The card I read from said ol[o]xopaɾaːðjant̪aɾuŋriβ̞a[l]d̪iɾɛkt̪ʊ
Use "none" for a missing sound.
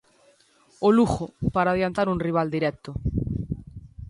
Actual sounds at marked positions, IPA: u, l

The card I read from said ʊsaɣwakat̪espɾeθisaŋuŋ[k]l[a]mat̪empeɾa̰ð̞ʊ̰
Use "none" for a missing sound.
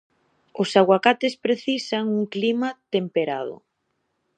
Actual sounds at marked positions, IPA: k, i

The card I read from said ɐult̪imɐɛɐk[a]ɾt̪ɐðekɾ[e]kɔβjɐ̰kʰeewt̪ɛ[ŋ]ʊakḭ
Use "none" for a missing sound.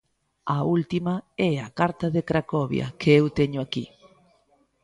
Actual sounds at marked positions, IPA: a, a, ɲ

